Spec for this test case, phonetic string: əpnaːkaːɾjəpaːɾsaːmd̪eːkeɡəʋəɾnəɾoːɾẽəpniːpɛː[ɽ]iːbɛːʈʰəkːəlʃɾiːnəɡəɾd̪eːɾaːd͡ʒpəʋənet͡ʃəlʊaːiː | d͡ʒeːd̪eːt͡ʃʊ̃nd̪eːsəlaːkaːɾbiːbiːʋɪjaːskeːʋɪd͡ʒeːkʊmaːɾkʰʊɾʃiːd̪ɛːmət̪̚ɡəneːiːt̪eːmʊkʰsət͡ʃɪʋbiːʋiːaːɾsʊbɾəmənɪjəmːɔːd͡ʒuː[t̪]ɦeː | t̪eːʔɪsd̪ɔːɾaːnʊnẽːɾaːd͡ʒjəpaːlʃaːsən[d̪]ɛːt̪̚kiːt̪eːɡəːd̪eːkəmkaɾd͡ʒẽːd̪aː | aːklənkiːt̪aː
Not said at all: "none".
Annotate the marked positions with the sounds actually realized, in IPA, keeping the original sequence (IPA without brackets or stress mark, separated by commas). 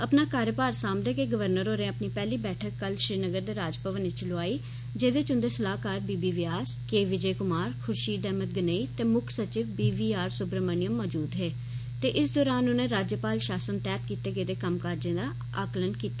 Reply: l, d̪, t̪